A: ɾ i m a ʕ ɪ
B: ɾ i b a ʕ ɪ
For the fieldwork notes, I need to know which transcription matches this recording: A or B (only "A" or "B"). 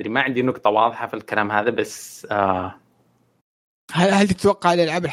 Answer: A